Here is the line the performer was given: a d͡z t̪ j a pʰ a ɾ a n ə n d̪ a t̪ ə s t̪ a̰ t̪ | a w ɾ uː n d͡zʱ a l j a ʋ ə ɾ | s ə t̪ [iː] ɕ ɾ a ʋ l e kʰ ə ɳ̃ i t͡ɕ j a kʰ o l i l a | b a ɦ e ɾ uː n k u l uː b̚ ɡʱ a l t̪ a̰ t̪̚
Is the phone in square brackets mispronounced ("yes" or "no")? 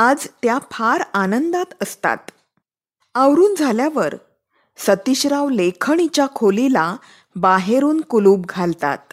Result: yes